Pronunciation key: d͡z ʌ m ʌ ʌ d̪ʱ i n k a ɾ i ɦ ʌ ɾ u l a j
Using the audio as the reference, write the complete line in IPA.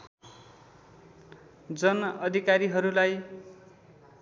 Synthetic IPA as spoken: d͡z ʌ n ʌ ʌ d̪ʱ i k a ɾ i ɦ ʌ ɾ u l a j